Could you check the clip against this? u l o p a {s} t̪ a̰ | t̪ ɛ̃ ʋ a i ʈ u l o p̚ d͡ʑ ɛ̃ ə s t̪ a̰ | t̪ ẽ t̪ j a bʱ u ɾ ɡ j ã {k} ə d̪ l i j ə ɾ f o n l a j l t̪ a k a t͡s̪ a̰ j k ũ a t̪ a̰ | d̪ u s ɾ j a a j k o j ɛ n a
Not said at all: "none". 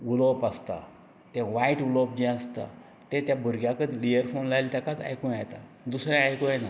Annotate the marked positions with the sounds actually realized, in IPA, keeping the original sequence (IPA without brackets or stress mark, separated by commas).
s, k